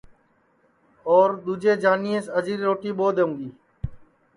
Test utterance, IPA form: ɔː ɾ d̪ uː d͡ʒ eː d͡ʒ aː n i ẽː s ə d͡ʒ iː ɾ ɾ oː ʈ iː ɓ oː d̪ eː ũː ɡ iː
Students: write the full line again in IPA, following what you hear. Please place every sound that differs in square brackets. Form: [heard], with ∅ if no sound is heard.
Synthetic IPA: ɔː ɾ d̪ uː d͡ʒ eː d͡ʒ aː n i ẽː s ə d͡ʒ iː ɾ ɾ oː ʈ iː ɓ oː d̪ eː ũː ɡ iː